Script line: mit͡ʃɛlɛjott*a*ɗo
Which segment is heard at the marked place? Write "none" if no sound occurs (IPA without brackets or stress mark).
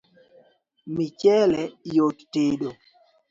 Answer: e